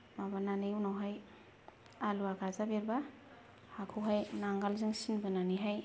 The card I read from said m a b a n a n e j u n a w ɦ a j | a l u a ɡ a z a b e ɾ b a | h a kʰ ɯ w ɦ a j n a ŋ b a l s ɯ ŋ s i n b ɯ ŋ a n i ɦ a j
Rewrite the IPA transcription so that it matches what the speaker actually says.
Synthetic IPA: m a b a n a n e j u n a w ɦ a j | a l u a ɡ a z a b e ɾ b a | h a kʰ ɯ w ɦ a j n a ŋ ɡ a l z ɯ ŋ s i n b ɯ n a n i ɦ a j